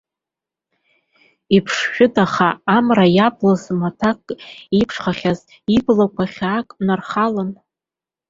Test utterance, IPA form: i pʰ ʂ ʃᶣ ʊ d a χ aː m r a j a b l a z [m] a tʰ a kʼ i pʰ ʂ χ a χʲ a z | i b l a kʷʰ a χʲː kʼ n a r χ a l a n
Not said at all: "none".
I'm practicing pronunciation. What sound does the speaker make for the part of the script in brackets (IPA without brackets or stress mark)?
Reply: m